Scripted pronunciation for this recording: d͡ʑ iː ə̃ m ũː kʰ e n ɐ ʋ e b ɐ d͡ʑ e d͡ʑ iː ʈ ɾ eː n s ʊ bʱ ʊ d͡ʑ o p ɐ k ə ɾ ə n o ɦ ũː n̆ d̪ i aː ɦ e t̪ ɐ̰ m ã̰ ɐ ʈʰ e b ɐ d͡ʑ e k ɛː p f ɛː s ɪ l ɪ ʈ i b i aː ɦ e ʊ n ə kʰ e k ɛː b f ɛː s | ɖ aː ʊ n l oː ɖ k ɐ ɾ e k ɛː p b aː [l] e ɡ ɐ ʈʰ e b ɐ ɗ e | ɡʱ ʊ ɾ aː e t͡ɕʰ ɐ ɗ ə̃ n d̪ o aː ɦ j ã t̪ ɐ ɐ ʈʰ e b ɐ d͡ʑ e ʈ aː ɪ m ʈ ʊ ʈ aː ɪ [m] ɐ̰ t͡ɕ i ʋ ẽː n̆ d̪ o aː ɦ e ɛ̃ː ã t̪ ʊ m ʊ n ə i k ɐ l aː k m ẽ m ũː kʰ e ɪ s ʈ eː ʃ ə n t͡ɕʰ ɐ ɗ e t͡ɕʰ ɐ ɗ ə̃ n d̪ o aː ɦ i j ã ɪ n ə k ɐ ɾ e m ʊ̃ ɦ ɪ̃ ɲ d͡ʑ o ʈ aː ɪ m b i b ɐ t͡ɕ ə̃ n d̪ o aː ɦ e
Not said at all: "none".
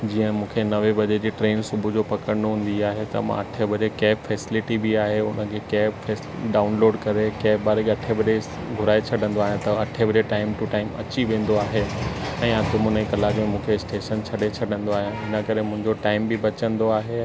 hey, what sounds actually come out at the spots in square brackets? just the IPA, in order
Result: ɾ, m

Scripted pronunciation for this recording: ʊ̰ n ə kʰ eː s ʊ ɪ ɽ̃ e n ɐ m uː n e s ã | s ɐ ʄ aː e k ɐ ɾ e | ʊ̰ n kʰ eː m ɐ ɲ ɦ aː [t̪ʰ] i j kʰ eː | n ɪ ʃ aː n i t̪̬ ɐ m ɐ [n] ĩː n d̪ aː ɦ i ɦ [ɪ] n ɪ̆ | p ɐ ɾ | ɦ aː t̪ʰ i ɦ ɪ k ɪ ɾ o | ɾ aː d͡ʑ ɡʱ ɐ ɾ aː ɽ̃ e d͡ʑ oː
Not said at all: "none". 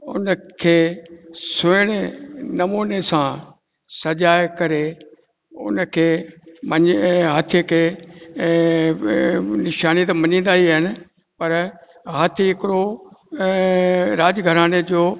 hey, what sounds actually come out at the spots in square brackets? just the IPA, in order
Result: t̪ʰ, ɲ, ɪ

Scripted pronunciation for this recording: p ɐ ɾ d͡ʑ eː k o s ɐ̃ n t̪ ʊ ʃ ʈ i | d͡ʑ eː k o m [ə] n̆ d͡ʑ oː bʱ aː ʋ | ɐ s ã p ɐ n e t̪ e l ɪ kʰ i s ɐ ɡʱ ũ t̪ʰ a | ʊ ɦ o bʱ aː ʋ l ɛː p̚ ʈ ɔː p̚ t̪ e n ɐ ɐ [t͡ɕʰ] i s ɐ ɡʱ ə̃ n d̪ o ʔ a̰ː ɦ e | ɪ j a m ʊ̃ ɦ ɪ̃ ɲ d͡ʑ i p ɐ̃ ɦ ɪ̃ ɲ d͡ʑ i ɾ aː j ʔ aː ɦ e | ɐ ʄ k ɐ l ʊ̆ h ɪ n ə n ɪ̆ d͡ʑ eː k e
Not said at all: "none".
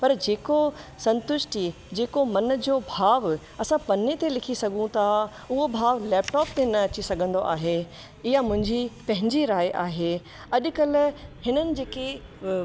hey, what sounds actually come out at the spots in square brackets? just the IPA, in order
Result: ɐ, t͡ɕ

